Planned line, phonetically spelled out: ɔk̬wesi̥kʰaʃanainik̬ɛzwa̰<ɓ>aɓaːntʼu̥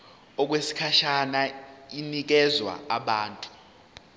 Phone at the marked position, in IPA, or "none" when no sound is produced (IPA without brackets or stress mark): none